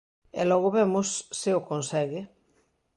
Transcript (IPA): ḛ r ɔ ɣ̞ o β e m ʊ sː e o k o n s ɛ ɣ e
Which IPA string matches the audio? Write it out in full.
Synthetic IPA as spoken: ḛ l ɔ ɣ̞ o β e m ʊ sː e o k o n s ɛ ɣ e